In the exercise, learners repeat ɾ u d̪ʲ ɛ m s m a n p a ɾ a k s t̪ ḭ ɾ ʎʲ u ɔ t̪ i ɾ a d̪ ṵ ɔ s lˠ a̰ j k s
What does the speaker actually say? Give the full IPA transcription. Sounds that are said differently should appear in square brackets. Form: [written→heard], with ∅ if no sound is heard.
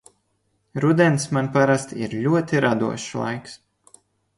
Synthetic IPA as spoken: ɾ u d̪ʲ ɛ [m→n] s m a n p a ɾ a [k→∅] s t̪ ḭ ɾ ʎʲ u ɔ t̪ i ɾ a d̪ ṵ ɔ [s→ʃ] lˠ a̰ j k s